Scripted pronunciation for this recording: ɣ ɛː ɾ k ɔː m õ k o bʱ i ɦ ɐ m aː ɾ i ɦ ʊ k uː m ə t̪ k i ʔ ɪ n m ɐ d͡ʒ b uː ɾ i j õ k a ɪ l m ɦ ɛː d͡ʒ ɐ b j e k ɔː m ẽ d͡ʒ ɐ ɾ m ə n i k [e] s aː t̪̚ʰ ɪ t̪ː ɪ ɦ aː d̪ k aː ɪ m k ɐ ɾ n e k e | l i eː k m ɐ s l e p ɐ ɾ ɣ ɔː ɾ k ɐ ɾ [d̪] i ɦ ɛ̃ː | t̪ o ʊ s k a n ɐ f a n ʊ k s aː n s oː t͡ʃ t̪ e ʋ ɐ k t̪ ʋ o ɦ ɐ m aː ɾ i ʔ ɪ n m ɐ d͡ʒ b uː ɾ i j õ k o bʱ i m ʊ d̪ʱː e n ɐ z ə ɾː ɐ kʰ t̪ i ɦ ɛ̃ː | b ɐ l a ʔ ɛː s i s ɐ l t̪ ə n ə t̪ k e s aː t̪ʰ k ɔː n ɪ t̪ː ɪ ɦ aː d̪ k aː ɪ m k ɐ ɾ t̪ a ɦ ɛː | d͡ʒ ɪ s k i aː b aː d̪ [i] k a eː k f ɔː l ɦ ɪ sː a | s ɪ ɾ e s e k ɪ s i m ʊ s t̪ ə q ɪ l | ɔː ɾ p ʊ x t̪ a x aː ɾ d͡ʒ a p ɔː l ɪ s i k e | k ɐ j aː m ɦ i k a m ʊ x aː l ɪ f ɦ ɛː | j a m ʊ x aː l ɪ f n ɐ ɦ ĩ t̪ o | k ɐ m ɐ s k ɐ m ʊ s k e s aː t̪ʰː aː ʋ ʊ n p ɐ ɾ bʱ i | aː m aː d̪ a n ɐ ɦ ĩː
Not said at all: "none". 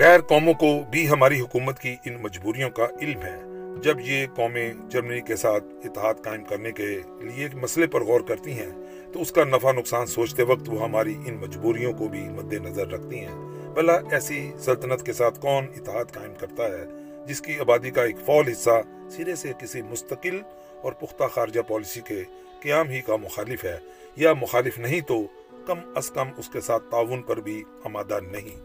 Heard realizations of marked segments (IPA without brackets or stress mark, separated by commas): e, t̪, i